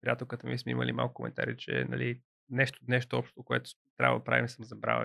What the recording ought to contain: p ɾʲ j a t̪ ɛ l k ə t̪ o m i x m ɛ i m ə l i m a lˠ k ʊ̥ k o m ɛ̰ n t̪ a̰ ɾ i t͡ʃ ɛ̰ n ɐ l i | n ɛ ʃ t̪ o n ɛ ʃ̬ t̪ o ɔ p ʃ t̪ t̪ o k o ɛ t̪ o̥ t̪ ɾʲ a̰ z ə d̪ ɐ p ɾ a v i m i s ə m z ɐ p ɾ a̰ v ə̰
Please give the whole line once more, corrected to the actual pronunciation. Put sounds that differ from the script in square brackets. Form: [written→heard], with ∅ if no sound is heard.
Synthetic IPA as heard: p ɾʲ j a t̪ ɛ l k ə t̪ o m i [x→s] m ɛ i m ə l i m a lˠ k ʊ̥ k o m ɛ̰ n t̪ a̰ ɾ i t͡ʃ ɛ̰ n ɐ l i | n ɛ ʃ t̪ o n ɛ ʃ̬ t̪ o ɔ p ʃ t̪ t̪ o k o ɛ t̪ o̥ t̪ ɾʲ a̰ [z→v] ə d̪ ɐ p ɾ a v i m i s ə m z ɐ [p→b] ɾ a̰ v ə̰